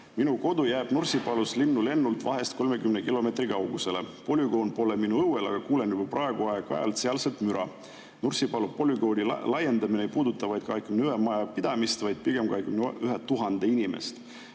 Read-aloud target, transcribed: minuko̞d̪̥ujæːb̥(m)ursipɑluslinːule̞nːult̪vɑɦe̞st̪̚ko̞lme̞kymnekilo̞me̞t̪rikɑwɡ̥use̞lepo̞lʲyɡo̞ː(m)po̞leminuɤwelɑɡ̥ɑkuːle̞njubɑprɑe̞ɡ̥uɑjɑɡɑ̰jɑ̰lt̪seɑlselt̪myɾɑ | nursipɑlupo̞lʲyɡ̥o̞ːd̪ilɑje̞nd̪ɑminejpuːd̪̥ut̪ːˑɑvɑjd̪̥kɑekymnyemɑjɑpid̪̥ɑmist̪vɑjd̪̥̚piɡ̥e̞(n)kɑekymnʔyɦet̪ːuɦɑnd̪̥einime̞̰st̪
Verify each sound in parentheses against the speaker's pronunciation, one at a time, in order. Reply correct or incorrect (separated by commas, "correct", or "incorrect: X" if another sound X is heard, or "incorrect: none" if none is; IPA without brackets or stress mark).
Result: incorrect: n, incorrect: n, incorrect: m